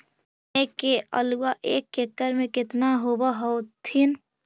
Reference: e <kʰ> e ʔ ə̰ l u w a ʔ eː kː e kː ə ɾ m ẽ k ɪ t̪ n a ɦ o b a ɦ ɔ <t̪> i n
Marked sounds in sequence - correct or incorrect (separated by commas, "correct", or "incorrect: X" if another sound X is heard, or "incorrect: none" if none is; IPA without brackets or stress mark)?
incorrect: k, incorrect: t̪ʰ